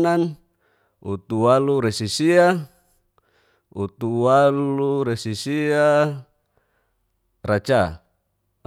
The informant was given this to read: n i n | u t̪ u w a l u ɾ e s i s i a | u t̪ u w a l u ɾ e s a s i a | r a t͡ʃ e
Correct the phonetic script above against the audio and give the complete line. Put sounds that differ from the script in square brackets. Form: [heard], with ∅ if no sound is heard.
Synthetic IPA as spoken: n [a] n | u t̪ u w a l u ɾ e s i s i a | u t̪ u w a l u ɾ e s [i] s i a | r a t͡ʃ [a]